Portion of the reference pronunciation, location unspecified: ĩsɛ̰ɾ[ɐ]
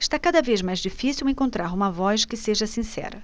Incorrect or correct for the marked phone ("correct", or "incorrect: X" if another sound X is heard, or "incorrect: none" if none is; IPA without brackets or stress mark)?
correct